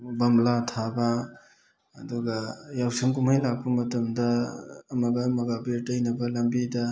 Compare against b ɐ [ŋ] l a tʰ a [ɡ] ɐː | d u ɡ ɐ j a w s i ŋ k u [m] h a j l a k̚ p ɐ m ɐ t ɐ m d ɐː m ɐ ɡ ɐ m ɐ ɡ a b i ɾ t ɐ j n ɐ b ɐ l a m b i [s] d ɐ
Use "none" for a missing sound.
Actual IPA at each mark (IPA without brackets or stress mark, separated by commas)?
m, b, m, none